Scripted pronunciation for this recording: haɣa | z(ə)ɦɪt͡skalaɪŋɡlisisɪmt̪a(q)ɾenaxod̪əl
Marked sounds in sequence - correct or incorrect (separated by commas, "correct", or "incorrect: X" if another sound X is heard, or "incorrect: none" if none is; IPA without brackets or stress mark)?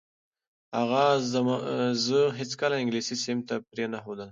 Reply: correct, incorrect: p